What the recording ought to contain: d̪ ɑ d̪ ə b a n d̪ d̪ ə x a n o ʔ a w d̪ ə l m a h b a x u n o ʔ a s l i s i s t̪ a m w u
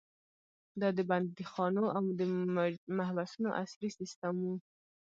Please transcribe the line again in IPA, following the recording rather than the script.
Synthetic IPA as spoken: d̪ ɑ d̪ ə b a n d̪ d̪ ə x ɑ n o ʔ a w d̪ ə m a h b a s u n o ʔ a s l i s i s t̪ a m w u